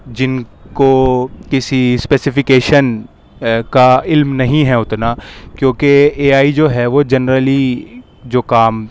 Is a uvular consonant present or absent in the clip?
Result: absent